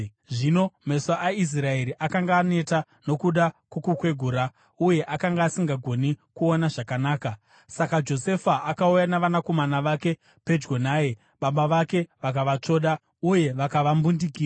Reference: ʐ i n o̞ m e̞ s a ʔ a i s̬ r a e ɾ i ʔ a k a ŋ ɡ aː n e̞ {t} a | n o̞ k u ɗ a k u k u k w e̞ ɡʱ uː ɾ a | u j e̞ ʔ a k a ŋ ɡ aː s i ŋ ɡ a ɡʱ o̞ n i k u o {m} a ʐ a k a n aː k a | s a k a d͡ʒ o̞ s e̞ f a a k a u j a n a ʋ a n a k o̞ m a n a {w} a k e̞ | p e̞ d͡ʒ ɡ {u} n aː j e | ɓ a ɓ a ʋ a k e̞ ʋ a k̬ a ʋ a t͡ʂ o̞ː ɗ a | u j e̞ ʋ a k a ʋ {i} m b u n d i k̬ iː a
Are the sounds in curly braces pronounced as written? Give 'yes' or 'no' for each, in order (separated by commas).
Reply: yes, no, no, no, no